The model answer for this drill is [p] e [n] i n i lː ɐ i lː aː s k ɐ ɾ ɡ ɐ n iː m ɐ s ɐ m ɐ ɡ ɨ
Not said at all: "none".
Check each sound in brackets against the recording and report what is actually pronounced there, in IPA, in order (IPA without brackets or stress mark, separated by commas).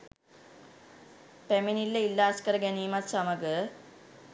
p, m